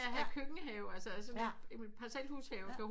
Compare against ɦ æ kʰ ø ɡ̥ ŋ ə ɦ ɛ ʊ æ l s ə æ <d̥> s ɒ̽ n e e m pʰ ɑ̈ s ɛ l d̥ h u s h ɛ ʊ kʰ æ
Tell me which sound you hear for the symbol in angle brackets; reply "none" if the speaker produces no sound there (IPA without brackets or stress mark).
none